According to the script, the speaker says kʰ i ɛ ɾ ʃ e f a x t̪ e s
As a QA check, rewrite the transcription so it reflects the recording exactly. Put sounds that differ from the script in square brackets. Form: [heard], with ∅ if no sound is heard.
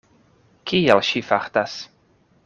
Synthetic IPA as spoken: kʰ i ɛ [l] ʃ [i] f a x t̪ [a] s